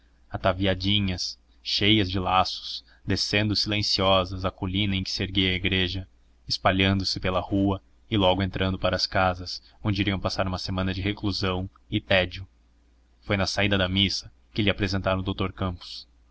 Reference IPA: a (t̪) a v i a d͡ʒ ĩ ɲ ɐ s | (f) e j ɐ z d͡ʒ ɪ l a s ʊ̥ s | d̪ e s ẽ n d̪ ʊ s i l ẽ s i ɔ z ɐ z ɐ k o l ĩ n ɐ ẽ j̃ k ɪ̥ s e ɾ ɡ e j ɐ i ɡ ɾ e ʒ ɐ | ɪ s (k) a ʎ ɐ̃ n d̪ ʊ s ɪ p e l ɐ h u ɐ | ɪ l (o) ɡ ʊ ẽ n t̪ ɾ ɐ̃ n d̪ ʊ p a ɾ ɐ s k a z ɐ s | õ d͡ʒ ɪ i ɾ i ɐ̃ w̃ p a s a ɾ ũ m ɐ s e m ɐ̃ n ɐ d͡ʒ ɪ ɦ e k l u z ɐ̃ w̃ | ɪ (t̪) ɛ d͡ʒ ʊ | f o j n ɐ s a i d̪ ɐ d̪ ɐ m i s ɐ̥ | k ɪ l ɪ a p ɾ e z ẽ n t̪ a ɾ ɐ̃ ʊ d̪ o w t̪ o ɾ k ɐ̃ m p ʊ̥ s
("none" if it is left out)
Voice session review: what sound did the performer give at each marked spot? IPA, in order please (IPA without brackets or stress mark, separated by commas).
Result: t̪, ʃ, p, ɔ, t̪